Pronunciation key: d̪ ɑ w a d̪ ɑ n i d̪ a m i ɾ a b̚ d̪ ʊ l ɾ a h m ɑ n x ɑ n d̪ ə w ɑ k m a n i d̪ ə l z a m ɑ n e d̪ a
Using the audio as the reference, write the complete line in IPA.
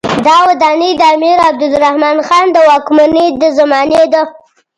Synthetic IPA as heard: d̪ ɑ w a d̪ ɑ n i d̪ a m i ɾ a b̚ d̪ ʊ l ɾ a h m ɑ n x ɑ n d̪ ə w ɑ k m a n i d̪ ə z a m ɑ n e d̪ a